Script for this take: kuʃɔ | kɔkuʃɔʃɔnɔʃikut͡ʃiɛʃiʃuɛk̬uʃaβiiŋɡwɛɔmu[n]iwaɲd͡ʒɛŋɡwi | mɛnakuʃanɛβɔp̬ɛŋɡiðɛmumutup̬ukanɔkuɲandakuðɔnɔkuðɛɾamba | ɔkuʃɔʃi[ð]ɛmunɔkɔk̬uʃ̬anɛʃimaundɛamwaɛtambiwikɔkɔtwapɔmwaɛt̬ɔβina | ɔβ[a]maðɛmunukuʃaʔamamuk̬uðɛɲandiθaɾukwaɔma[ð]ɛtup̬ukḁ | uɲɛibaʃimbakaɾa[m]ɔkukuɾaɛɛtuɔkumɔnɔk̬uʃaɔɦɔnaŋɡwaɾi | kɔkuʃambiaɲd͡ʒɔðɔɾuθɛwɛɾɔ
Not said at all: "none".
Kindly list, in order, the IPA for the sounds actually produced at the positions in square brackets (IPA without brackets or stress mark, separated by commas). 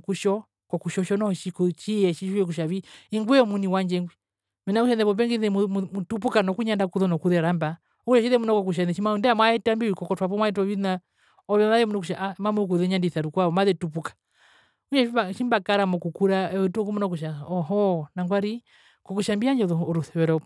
n, ð, ɛ, ð, m